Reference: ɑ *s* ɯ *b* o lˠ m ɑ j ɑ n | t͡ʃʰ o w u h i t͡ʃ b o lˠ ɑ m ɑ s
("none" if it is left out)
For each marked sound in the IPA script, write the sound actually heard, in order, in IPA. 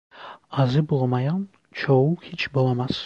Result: z, b

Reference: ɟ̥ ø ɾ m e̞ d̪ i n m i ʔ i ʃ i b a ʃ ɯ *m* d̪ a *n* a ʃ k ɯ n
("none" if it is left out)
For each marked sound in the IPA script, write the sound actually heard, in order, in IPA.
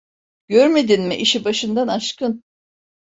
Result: n, n

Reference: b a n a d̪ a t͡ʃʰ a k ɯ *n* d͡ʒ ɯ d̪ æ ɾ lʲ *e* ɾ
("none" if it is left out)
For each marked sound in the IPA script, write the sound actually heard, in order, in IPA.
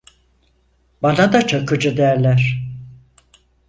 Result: none, æ

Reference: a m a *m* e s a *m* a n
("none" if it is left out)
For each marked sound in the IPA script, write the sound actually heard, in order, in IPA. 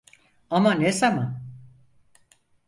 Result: n, m

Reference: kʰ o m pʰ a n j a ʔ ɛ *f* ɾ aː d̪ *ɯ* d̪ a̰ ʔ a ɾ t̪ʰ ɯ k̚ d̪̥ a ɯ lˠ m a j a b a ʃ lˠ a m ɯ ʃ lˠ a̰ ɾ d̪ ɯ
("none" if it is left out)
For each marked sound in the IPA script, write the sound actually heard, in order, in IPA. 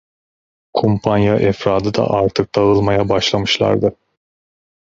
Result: f, ɯ

